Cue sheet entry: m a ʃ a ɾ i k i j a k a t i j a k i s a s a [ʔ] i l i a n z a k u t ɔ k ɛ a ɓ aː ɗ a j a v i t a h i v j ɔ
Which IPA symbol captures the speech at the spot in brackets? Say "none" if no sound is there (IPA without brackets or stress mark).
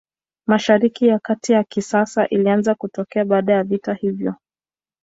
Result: ʔ